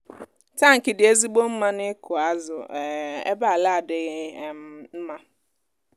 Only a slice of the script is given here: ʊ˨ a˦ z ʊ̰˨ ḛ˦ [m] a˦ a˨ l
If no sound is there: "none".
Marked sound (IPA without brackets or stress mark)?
b